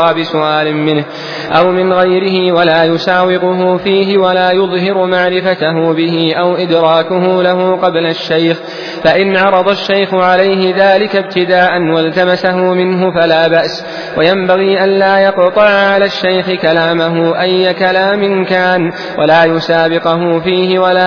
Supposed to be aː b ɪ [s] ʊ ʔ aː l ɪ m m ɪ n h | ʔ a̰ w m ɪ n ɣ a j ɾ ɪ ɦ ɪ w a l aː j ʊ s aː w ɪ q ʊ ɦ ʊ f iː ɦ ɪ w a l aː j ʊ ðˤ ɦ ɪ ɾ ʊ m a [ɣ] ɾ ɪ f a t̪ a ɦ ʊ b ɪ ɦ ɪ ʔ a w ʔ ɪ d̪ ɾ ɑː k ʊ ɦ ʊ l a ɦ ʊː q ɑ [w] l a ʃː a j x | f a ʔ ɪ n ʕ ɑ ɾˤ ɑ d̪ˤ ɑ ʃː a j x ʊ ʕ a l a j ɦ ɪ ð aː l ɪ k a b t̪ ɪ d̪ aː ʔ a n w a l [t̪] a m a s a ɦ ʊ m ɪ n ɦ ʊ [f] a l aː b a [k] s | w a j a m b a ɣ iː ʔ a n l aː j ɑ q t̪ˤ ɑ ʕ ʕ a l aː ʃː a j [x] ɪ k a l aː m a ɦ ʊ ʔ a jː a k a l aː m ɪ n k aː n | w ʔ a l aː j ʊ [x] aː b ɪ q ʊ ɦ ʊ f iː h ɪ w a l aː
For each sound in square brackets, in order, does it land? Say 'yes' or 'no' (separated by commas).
yes, no, no, yes, yes, no, yes, no